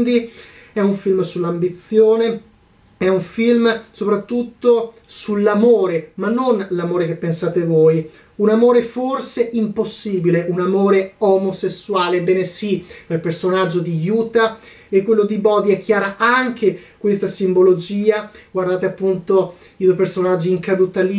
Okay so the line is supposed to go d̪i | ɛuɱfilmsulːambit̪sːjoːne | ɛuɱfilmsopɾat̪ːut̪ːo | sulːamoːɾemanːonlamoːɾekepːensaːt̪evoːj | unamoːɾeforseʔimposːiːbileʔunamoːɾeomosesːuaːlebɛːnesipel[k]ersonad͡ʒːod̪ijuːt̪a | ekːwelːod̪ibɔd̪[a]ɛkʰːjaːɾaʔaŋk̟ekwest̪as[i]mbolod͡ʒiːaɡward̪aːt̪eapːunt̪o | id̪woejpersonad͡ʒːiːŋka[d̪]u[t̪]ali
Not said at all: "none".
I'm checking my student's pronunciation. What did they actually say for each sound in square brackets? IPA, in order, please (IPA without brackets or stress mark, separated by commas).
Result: p, i, i, d̪, t̪